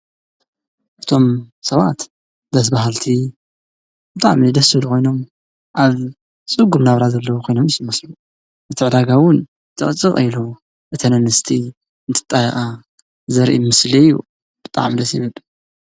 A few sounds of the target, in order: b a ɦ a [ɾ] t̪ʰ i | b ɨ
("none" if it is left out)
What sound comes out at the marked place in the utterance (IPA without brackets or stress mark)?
l